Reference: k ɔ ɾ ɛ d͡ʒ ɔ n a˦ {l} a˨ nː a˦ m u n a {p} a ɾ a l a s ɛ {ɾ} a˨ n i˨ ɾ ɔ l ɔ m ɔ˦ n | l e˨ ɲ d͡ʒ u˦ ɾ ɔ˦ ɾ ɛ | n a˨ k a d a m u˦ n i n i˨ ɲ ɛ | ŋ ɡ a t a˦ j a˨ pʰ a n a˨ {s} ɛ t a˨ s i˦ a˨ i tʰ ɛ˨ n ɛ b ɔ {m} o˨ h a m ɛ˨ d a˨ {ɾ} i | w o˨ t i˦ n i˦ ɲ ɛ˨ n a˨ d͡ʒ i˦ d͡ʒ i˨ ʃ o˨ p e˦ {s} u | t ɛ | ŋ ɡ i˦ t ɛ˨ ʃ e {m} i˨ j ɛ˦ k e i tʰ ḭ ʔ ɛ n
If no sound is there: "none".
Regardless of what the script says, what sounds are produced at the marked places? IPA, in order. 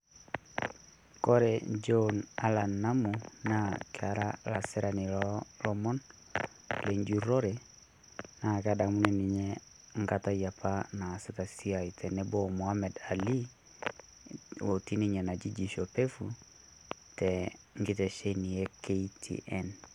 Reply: l, k, ɾ, s, m, l, f, n

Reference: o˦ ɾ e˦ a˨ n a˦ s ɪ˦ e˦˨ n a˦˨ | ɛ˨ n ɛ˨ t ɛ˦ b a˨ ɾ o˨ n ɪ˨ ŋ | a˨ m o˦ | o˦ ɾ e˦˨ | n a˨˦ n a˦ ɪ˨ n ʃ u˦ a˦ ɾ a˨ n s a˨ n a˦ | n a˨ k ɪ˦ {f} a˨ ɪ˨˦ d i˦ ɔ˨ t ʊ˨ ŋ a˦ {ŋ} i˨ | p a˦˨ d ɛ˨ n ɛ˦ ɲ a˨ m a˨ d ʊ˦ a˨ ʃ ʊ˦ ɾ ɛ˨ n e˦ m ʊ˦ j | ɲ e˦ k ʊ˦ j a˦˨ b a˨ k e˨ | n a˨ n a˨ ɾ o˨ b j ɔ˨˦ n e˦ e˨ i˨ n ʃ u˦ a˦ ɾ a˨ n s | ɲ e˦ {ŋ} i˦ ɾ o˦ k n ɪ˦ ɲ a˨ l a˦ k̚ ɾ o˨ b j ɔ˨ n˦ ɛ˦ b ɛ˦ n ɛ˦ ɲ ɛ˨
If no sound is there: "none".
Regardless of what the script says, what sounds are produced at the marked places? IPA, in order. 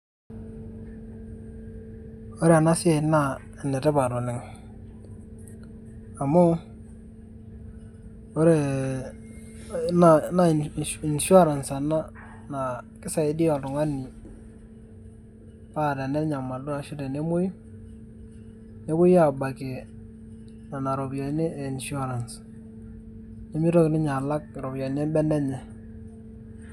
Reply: s, n, m

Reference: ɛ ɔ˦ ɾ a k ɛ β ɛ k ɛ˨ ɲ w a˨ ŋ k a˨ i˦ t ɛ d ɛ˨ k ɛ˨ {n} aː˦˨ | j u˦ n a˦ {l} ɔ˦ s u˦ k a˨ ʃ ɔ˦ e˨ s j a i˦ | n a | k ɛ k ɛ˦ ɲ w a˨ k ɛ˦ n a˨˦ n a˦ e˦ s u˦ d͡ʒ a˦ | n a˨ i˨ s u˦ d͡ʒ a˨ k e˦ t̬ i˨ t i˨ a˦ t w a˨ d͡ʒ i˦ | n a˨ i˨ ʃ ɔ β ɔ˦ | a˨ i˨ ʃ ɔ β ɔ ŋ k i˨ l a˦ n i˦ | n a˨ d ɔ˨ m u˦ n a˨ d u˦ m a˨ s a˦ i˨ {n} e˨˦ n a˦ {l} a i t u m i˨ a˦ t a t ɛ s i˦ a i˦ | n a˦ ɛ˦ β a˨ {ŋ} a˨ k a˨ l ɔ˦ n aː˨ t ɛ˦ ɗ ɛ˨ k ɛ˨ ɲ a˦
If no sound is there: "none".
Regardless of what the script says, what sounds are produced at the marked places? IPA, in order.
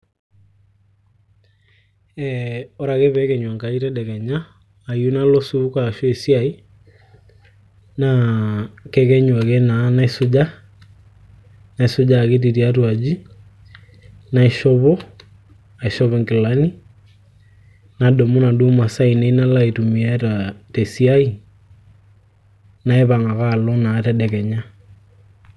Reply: ɲ, l, n, l, ŋ

